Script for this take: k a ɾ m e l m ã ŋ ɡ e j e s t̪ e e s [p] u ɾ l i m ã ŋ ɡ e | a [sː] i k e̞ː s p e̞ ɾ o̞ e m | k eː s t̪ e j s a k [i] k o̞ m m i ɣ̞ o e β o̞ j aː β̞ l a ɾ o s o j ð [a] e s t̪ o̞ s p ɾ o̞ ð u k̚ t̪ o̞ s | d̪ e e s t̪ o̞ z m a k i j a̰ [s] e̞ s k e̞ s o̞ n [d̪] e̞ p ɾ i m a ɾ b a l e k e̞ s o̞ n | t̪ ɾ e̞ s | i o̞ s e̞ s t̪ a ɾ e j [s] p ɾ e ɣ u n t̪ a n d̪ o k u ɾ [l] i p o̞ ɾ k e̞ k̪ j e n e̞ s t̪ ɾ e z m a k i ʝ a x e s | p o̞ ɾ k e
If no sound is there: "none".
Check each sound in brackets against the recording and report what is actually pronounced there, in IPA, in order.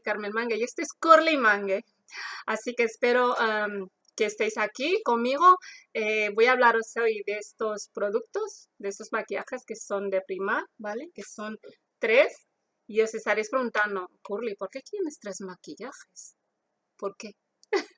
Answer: k, s, i, e, x, d̪, s, l

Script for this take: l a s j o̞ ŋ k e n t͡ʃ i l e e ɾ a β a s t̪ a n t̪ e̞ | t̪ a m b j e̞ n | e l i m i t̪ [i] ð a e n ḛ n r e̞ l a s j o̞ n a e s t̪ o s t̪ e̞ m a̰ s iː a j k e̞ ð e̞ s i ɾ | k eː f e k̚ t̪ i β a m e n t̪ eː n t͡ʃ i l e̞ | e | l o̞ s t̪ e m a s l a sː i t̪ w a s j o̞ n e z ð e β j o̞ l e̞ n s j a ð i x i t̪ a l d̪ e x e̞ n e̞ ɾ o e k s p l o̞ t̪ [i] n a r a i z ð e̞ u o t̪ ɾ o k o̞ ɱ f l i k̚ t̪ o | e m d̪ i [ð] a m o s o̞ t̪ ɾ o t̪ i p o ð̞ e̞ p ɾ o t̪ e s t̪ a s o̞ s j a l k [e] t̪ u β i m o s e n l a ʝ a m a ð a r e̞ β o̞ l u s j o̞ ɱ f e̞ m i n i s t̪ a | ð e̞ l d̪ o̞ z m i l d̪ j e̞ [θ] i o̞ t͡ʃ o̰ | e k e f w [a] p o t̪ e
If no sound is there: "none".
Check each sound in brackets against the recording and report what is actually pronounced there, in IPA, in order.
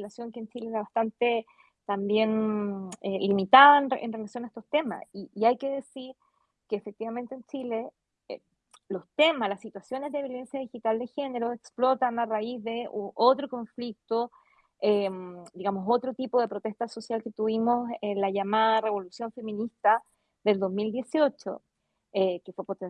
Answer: a, a, ɣ, e, s, e

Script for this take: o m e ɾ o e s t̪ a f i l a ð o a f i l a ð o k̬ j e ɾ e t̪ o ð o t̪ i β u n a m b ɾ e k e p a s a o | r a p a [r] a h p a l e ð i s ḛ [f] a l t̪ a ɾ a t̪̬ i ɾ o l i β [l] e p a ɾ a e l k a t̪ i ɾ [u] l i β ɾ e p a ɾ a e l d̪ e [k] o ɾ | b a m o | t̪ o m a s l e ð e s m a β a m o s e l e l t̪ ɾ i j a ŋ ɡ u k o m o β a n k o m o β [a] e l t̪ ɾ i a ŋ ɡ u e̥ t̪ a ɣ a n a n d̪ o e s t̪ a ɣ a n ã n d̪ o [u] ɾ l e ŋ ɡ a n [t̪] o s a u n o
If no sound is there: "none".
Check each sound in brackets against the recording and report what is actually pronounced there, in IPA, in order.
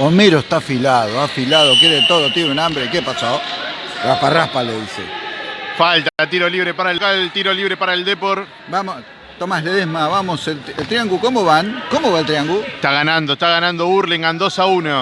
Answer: r, f, ɾ, o, p, a, u, d̪

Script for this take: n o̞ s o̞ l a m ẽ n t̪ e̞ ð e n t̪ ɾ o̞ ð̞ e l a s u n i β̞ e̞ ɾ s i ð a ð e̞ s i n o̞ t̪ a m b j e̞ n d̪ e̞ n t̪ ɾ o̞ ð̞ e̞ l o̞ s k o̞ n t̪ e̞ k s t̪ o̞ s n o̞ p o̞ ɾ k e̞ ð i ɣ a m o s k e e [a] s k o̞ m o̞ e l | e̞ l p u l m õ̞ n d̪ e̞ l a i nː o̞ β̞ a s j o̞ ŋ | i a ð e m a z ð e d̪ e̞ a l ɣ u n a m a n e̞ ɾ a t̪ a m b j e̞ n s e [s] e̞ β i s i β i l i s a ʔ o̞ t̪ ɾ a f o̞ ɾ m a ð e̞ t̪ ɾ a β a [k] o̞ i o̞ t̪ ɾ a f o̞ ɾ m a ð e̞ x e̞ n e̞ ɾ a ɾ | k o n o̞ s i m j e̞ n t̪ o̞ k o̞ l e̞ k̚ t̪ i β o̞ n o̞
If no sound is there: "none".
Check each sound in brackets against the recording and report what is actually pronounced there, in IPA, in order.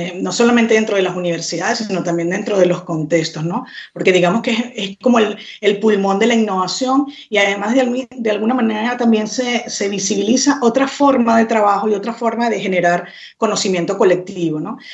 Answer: e, s, x

